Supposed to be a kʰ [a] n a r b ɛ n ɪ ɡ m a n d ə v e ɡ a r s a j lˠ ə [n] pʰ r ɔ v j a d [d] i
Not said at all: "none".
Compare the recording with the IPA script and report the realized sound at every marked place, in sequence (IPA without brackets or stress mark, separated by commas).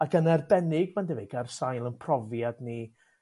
ə, n, n